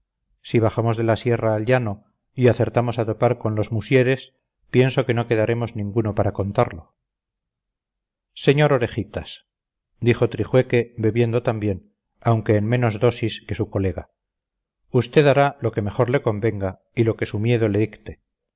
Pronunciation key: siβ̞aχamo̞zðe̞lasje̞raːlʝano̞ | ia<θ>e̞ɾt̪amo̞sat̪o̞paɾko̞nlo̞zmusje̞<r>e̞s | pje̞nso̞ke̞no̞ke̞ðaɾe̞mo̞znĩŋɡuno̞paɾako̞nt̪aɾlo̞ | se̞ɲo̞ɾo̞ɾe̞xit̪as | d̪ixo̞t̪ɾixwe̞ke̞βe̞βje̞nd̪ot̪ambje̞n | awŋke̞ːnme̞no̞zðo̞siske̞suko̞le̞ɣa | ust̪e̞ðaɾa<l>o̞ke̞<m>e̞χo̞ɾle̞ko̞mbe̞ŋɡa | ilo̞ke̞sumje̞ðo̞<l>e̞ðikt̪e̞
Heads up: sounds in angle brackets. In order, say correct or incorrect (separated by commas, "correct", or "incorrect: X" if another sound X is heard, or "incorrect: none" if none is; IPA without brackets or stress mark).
correct, incorrect: ɾ, correct, correct, correct